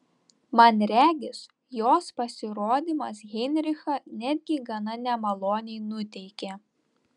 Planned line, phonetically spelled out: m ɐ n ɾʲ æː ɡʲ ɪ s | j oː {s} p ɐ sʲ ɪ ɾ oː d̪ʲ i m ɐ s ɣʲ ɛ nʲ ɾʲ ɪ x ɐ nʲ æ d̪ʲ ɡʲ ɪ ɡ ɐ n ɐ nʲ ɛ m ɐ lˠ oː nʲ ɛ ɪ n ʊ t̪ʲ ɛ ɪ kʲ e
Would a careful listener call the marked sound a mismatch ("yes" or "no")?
no